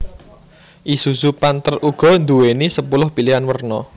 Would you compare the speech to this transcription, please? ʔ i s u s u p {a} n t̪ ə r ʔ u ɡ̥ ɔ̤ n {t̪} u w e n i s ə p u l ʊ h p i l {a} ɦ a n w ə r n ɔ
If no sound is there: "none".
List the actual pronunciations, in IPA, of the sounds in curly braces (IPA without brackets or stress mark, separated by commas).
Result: a, d̪, i